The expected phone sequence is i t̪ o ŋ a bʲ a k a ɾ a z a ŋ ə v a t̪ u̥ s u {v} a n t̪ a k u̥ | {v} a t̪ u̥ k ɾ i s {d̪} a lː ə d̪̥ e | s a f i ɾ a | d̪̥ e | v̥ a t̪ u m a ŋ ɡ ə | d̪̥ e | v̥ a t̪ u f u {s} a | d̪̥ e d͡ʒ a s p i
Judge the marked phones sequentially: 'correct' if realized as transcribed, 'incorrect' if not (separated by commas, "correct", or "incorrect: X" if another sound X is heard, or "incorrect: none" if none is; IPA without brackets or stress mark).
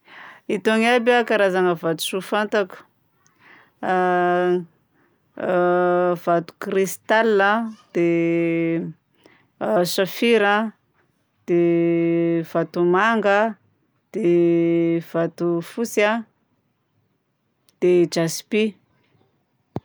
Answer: incorrect: f, correct, incorrect: t̪, correct